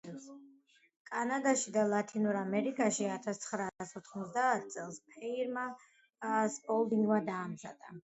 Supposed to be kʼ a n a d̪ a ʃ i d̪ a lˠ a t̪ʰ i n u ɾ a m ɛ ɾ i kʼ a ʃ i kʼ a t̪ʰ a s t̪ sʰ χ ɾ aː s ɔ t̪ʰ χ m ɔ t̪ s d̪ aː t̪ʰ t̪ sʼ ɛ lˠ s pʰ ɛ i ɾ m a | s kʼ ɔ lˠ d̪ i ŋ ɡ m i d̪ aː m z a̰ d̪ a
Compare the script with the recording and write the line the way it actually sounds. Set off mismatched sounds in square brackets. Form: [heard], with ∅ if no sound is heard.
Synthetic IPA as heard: kʼ a n a d̪ a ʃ i d̪ a lˠ a t̪ʰ i n u ɾ a m ɛ ɾ i kʼ a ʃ i [∅] a t̪ʰ a s t̪ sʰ χ ɾ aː s ɔ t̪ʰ χ m ɔ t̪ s d̪ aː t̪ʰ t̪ sʼ ɛ lˠ s pʰ ɛ i ɾ m a | s [pʼ] ɔ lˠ d̪ i ŋ ɡ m [a] d̪ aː m z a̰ d̪ a